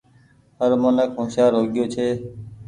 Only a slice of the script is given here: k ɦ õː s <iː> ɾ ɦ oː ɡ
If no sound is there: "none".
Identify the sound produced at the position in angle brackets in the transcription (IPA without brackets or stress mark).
aː